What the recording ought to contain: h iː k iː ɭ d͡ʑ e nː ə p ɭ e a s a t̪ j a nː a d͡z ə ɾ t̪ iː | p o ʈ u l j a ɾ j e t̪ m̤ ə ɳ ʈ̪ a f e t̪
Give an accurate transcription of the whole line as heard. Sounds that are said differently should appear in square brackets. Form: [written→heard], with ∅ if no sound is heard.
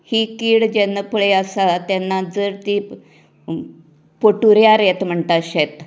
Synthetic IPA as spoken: h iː k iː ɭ d͡ʑ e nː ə p ɭ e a s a t̪ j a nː a d͡z ə ɾ t̪ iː | p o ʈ u [l→ɾ] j a ɾ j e t̪ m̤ ə ɳ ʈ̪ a [f→ɕ] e t̪